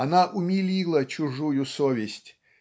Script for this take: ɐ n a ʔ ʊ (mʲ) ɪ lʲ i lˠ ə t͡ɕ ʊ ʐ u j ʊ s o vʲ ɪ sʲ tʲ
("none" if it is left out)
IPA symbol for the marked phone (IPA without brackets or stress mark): mʲ